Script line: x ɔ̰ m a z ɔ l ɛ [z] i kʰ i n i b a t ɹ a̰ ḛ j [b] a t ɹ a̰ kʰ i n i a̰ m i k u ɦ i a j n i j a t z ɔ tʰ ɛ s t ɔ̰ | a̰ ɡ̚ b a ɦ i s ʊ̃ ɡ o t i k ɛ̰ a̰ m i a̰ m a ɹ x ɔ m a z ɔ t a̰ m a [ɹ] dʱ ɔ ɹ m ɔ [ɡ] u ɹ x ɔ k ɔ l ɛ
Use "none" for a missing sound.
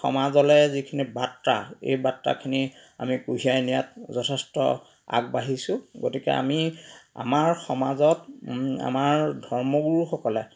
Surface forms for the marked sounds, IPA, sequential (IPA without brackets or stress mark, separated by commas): z, b, ɹ, ɡ